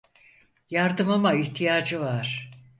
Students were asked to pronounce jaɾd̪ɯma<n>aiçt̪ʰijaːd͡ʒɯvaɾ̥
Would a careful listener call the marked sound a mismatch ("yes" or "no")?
yes